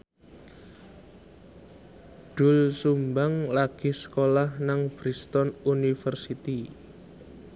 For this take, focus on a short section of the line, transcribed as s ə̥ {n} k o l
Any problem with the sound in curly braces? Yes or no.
yes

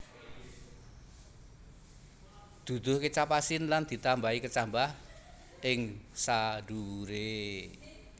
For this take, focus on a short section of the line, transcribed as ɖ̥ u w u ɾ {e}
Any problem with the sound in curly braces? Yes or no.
no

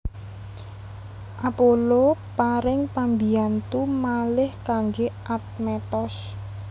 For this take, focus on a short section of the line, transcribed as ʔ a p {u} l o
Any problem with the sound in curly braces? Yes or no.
yes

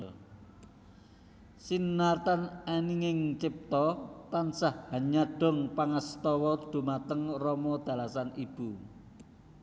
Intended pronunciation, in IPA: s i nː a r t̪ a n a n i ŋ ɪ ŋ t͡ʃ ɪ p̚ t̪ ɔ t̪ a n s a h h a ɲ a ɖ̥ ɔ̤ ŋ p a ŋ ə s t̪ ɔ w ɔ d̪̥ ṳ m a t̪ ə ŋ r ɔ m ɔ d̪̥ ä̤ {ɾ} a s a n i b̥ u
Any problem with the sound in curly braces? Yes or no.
yes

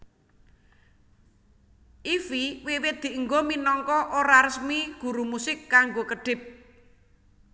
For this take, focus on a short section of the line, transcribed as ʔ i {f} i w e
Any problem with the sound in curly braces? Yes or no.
no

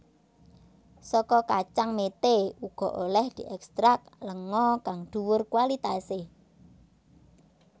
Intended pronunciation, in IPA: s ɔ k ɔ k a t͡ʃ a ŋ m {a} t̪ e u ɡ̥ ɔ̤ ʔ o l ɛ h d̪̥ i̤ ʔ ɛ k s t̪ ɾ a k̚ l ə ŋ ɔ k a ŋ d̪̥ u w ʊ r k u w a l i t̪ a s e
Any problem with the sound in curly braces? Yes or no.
yes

